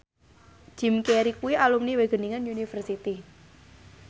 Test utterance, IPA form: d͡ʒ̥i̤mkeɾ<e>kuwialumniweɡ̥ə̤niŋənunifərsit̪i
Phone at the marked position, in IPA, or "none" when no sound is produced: i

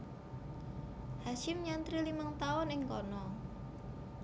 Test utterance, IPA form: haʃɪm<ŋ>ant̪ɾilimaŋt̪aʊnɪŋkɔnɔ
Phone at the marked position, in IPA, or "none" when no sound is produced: ɲ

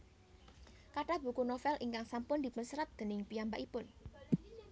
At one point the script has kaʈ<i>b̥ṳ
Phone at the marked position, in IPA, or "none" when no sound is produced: a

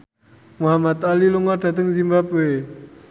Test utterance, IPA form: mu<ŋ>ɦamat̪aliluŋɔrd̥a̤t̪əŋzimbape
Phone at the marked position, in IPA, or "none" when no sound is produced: none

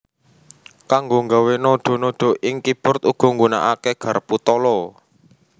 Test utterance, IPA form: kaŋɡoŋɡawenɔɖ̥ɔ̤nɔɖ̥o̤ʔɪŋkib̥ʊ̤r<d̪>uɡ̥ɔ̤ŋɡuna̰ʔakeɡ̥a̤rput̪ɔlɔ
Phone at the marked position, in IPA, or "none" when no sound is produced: t̪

